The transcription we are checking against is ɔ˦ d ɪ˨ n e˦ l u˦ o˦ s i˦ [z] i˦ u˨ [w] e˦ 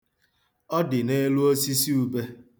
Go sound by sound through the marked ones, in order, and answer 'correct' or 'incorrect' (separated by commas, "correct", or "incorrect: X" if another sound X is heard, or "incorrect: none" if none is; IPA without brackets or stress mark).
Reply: incorrect: s, incorrect: b